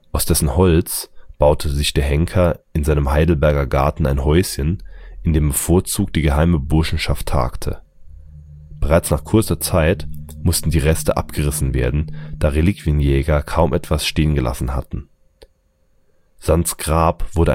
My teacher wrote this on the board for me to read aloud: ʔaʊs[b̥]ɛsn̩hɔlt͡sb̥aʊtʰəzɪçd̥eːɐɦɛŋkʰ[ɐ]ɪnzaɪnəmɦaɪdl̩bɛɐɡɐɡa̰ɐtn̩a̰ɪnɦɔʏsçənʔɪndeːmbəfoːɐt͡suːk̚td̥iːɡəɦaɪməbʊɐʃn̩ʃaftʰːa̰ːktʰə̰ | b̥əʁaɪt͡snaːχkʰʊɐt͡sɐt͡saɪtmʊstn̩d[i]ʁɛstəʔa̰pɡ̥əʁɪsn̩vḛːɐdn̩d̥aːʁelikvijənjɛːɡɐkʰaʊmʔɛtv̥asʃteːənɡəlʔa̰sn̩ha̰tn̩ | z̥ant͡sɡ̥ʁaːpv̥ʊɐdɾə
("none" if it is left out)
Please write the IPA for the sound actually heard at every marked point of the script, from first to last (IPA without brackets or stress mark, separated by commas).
d̥, ɐ, iː